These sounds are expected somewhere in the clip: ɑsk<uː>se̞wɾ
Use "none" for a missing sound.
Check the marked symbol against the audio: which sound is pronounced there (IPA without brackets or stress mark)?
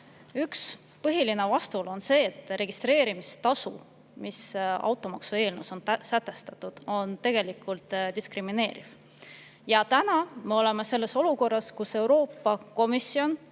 u